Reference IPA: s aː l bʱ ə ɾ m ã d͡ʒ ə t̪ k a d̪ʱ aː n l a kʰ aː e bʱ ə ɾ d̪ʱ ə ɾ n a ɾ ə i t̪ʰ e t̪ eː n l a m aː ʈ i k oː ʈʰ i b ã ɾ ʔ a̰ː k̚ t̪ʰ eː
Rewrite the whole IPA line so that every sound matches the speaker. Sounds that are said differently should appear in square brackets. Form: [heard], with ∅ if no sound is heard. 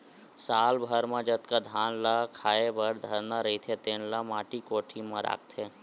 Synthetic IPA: s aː l bʱ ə ɾ m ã d͡ʒ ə t̪ k a d̪ʱ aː n l a kʰ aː e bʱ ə ɾ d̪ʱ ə ɾ n a ɾ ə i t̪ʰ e t̪ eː n l a m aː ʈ i k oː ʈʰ i [m] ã ɾ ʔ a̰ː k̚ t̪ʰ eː